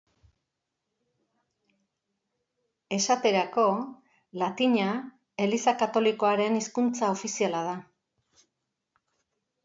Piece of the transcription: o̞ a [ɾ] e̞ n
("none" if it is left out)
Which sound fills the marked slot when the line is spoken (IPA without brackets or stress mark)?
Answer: ɾ